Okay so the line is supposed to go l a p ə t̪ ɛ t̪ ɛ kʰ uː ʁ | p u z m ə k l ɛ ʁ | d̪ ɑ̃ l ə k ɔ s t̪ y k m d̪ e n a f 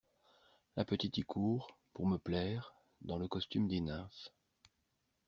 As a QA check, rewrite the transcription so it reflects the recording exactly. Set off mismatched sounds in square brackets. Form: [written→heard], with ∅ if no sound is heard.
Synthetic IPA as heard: l a p ə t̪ [ɛ→i] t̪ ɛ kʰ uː ʁ | p u [z→ʁ] m ə [k→p] l ɛ ʁ | d̪ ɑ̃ l ə k ɔ s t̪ y [k→∅] m d̪ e n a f